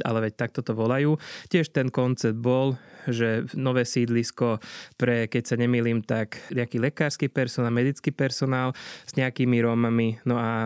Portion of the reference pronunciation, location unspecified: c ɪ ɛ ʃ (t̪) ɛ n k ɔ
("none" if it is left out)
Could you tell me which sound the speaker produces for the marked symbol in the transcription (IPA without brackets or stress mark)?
t̪